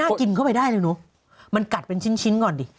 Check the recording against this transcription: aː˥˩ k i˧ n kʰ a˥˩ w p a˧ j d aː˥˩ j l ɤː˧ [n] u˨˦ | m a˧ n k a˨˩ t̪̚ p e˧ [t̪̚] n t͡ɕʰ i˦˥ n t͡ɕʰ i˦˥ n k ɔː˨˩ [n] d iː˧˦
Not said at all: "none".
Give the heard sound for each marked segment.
n, none, n

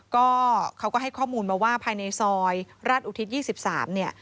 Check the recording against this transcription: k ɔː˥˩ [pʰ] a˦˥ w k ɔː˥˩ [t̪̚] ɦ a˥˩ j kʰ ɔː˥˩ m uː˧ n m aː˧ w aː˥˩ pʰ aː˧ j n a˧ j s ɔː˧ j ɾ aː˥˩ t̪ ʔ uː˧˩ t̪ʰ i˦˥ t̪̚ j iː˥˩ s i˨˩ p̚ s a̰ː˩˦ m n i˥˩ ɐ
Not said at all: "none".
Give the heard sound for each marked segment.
kʰ, none

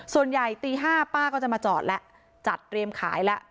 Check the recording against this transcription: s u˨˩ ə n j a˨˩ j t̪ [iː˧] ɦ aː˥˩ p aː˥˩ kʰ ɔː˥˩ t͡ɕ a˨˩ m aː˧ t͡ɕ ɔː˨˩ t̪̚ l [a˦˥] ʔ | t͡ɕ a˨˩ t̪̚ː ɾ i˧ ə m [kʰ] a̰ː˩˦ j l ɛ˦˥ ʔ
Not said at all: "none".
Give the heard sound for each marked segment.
iː˧, ɛ˦˥, kʰ

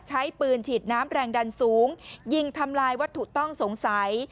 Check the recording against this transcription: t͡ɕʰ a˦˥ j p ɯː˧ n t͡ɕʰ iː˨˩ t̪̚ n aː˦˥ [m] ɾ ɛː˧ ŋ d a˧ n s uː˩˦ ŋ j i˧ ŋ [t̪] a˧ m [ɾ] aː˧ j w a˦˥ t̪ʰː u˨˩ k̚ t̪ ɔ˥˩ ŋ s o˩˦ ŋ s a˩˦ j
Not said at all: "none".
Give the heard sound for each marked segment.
m, t̪ʰ, l

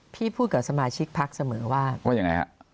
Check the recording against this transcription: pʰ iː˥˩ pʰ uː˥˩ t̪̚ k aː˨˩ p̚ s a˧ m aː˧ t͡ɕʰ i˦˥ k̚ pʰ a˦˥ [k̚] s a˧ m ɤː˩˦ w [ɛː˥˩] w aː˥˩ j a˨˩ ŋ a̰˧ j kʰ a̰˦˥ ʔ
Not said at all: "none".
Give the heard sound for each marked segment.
k̚, aː˥˩

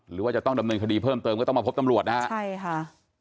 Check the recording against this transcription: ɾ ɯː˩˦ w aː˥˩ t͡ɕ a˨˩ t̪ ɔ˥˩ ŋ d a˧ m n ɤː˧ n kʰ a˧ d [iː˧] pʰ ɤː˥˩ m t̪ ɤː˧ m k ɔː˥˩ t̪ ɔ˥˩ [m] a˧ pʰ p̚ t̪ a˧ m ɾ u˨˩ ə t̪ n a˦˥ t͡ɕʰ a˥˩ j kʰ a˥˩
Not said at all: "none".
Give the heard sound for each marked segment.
iː˧, m

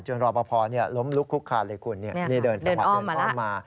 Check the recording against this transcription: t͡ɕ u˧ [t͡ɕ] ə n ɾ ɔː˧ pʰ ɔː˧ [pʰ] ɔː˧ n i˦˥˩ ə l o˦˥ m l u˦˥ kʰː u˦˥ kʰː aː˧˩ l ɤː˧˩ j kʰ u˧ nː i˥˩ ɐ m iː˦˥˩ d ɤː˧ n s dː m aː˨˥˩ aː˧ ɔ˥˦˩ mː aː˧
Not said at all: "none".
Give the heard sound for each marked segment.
none, pʰ

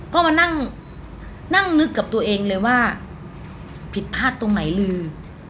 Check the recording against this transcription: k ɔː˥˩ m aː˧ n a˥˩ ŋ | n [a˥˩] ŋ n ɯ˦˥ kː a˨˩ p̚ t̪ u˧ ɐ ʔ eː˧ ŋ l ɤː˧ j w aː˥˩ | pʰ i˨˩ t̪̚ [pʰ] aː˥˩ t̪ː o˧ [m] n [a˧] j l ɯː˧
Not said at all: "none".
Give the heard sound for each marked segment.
a˥˩, pʰ, ŋ, a˩˦

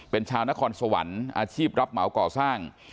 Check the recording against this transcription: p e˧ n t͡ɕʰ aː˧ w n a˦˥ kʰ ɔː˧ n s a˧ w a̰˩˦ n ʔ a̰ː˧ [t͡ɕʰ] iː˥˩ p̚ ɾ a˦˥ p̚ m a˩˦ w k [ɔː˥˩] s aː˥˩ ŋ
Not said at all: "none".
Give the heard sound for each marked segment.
t͡ɕʰ, ɔː˨˩

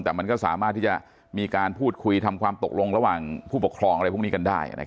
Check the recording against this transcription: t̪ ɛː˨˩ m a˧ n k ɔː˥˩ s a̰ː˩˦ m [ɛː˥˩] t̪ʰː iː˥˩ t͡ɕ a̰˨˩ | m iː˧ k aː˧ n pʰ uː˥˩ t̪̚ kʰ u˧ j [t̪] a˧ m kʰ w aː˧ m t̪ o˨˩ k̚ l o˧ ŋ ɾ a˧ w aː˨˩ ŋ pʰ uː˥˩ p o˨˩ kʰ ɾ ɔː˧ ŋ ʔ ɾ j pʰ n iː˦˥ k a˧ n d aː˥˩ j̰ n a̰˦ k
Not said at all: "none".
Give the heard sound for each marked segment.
aː˥˩, t̪ʰ

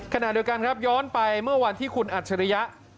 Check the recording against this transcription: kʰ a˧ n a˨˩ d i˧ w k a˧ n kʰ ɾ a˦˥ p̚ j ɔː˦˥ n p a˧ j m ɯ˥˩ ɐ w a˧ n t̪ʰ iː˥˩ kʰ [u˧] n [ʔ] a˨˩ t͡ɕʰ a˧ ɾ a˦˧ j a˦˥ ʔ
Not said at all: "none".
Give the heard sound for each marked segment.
u˧, ʔ

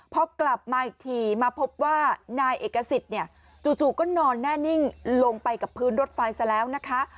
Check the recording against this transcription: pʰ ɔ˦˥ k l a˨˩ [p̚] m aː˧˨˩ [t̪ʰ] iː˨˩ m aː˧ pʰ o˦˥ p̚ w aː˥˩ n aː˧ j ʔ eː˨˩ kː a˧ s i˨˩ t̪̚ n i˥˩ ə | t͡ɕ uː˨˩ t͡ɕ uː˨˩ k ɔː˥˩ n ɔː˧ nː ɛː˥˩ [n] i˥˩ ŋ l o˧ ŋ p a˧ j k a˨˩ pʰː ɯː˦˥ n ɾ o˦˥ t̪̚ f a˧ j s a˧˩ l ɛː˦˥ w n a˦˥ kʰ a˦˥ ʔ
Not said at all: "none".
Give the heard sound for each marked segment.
p̚, t̪ʰ, n

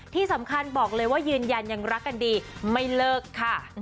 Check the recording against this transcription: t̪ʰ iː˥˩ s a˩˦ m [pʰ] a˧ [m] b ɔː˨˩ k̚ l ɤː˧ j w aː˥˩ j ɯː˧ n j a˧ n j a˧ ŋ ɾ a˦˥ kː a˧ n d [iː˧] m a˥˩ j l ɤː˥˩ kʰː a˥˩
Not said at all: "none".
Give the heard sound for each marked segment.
kʰ, n, iː˧

